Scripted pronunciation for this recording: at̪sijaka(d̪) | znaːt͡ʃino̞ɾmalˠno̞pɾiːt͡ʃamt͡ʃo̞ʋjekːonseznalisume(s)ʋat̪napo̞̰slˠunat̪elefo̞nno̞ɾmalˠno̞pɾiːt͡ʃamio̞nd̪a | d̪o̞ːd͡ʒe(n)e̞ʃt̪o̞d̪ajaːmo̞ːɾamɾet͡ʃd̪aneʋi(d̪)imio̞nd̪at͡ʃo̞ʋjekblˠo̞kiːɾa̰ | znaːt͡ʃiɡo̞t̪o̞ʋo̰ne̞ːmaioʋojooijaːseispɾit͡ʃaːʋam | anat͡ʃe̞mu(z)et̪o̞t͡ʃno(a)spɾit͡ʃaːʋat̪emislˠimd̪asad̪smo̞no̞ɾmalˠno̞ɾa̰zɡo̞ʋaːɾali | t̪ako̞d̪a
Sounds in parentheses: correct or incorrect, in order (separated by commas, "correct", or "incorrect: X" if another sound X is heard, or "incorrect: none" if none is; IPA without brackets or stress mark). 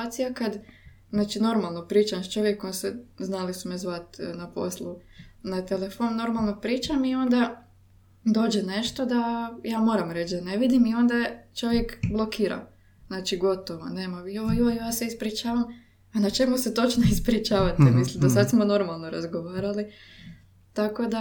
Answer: correct, incorrect: z, correct, correct, incorrect: s, incorrect: i